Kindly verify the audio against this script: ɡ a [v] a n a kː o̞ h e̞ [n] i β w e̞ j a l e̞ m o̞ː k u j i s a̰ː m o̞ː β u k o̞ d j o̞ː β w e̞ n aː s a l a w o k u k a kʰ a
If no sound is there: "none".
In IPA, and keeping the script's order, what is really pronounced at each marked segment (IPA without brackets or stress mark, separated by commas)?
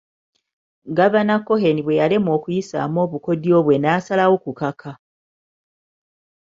β, n